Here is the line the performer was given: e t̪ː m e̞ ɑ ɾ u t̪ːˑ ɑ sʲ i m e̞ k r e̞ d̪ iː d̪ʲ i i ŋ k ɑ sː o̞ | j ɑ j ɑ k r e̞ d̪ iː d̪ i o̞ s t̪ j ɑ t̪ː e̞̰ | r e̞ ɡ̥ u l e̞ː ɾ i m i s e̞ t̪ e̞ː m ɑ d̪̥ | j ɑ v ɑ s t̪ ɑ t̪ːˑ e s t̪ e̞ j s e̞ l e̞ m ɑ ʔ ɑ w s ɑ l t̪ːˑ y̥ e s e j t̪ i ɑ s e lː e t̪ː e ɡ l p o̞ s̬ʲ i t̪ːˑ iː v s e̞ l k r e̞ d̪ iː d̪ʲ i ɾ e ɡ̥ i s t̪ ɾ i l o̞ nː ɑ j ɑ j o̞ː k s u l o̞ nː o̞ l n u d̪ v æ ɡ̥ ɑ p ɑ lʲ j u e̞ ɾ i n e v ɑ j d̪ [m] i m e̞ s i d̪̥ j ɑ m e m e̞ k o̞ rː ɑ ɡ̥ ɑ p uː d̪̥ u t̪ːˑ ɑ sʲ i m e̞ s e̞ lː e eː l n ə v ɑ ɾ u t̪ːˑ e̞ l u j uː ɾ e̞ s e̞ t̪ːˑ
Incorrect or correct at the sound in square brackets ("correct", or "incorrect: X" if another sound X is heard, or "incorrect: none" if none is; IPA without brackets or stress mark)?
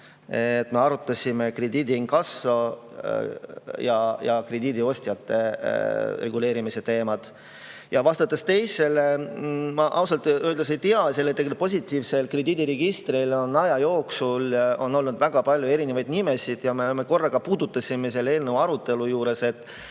incorrect: n